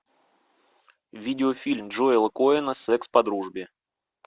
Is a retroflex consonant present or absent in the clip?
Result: present